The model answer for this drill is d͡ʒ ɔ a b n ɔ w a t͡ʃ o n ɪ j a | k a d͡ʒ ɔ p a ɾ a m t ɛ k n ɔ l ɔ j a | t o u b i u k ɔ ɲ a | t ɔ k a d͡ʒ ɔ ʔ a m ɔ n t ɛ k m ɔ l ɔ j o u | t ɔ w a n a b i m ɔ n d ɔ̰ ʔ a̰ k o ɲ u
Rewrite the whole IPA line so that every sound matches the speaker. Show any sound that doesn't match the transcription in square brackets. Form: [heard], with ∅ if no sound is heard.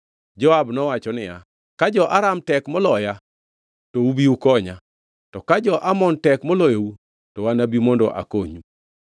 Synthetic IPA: d͡ʒ ɔ a b n ɔ w a t͡ʃ [ɔ] n ɪ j a | k a d͡ʒ ɔ [ʔ] a ɾ a m t ɛ k [m] ɔ l ɔ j a | t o u b i u k ɔ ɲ a | t ɔ k a d͡ʒ ɔ ʔ a m ɔ n t ɛ k m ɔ l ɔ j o u | t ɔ w a n a b i m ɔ n d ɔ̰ ʔ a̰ k o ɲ u